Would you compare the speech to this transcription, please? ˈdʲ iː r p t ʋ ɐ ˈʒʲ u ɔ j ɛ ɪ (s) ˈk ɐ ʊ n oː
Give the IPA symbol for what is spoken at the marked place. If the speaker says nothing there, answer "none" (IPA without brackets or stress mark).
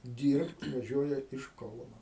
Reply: ʃ